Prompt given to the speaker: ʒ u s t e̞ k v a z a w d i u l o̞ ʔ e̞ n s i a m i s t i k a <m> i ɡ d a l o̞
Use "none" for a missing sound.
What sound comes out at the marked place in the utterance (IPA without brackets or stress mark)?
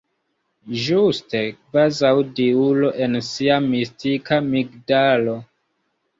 m